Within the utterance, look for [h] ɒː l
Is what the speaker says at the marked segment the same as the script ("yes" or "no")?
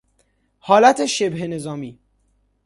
yes